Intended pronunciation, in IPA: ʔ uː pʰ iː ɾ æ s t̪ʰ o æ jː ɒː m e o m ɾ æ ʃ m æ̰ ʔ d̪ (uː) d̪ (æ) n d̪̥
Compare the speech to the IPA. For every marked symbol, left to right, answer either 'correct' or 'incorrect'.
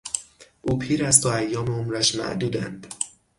correct, correct

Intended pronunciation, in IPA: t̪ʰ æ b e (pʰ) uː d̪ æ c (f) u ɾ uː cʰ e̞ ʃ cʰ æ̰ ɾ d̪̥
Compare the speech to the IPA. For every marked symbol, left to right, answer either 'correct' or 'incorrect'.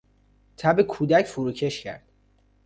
incorrect: kʰ, correct

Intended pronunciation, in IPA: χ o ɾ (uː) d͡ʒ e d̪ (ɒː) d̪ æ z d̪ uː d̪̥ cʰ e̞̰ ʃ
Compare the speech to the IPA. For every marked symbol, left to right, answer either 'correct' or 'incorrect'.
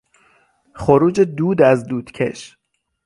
correct, incorrect: uː

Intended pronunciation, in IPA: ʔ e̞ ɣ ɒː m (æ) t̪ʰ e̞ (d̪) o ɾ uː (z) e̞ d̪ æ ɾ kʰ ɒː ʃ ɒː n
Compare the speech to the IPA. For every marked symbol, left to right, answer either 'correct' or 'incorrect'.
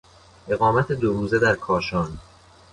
correct, correct, correct

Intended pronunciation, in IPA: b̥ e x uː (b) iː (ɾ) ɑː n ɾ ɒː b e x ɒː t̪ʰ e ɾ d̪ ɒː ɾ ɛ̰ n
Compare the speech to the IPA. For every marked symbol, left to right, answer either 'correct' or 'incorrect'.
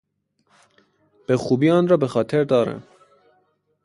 correct, incorrect: none

